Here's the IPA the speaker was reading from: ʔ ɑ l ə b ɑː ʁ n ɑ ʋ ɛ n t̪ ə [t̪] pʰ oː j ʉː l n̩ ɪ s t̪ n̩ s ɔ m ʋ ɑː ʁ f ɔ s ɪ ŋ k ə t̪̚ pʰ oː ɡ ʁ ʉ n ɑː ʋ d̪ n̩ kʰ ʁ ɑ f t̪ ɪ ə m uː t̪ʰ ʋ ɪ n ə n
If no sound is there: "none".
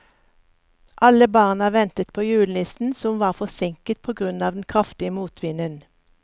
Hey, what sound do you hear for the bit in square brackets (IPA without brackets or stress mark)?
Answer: t̪